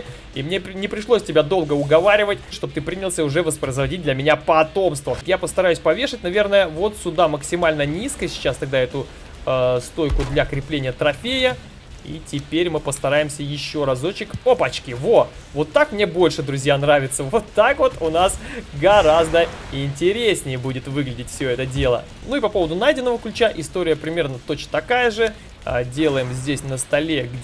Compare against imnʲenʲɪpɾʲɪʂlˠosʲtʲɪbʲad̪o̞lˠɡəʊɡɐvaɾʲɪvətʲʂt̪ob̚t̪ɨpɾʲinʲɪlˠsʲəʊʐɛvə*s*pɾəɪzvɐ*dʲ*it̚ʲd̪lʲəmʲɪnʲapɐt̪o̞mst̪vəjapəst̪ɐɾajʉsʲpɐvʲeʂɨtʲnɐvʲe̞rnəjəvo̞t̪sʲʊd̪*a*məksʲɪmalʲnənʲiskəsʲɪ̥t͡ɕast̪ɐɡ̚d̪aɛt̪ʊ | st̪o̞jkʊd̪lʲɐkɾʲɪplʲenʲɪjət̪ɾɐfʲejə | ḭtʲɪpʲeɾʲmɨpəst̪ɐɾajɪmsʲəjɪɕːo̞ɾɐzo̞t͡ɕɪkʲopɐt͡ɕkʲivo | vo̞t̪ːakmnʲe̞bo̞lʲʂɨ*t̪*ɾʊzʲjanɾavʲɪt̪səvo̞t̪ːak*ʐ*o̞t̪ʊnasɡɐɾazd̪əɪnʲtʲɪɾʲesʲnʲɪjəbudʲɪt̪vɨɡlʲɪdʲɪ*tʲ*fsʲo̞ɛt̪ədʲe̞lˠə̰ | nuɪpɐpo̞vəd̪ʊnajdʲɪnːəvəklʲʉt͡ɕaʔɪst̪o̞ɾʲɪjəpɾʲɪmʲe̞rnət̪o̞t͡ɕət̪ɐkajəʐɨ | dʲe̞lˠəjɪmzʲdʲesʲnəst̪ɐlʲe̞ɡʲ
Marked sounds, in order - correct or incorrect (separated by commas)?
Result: correct, correct, correct, incorrect, incorrect, correct